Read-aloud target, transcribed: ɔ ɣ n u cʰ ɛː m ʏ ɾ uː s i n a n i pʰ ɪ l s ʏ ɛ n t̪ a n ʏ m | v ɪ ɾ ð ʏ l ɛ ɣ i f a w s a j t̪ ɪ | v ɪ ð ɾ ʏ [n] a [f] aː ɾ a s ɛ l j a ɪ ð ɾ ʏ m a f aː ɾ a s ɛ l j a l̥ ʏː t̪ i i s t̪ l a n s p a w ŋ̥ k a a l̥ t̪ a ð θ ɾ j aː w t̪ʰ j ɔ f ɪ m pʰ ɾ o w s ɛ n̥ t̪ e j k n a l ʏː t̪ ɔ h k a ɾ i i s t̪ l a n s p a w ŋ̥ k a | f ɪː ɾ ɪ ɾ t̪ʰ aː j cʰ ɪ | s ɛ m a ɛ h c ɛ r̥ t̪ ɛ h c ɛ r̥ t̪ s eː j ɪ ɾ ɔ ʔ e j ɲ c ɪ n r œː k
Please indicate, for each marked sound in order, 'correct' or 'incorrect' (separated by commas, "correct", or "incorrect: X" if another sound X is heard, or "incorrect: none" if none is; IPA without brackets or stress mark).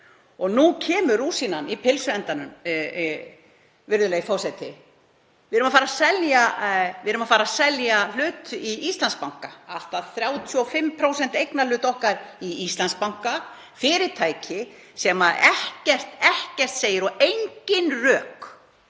incorrect: m, correct